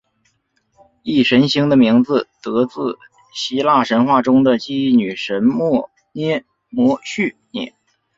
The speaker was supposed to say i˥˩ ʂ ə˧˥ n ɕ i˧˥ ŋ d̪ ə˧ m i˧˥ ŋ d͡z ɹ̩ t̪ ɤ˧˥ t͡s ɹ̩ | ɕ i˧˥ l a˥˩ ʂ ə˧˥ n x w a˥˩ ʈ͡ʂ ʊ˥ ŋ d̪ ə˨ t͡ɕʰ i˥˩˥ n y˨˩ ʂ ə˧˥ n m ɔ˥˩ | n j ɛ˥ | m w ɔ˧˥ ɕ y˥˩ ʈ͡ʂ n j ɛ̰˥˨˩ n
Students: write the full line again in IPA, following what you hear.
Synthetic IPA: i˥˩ ʂ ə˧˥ n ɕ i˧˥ ŋ d̪ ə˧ m i˧˥ ŋ d͡z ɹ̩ t̪ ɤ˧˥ t͡s ɹ̩ | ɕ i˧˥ l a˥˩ ʂ ə˧˥ n x w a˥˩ ʈ͡ʂ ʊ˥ ŋ d̪ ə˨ t͡ɕ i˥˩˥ n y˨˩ ʂ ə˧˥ n m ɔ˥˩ | n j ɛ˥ | m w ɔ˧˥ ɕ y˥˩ n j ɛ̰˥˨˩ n